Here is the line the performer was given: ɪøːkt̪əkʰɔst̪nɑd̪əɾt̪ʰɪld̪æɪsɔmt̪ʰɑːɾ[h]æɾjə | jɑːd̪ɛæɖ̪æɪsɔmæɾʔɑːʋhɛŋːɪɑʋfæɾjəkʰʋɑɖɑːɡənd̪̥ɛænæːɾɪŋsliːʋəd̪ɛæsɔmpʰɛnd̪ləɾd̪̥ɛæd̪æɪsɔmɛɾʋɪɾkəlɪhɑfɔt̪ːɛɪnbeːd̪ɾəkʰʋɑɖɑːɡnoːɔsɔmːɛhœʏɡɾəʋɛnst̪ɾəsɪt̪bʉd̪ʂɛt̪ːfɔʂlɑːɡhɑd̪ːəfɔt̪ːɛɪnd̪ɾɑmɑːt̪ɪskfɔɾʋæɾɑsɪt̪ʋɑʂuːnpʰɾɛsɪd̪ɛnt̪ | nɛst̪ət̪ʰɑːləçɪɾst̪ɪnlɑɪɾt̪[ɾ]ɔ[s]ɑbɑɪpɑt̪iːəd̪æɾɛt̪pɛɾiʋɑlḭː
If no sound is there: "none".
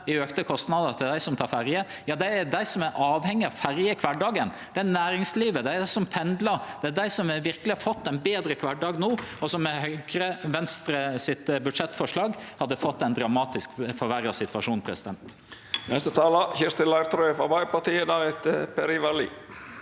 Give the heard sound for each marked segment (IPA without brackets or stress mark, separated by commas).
f, ɾ, f